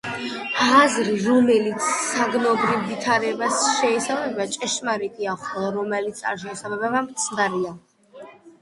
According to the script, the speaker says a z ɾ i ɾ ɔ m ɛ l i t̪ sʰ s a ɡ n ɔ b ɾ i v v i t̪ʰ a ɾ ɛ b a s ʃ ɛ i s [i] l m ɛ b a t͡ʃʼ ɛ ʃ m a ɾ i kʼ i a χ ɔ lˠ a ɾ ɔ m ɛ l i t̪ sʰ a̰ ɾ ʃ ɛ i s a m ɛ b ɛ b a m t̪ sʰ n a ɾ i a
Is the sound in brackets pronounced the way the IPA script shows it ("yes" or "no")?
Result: no